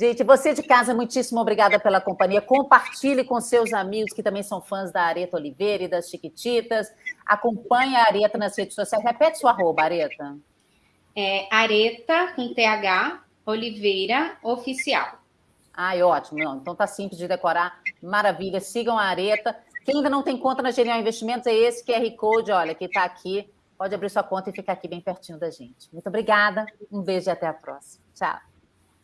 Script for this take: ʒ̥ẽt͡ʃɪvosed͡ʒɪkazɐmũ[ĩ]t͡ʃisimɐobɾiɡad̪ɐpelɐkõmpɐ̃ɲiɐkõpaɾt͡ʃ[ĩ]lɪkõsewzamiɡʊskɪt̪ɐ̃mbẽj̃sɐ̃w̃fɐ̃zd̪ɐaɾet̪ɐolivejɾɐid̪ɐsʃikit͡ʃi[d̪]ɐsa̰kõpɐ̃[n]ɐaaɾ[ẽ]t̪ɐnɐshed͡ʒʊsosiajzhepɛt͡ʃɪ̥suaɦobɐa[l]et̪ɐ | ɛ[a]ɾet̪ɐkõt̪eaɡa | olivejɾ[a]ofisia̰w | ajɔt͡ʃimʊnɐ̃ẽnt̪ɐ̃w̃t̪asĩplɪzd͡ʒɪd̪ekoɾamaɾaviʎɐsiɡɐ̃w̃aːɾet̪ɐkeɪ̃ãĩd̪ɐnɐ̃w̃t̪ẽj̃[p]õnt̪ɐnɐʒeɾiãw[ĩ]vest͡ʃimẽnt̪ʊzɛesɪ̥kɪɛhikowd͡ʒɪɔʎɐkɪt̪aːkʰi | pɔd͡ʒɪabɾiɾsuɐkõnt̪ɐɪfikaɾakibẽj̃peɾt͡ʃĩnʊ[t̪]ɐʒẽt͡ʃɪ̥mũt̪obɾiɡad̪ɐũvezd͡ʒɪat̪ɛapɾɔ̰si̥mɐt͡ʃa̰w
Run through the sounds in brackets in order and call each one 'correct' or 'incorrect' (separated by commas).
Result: incorrect, incorrect, incorrect, incorrect, incorrect, incorrect, correct, incorrect, incorrect, correct, incorrect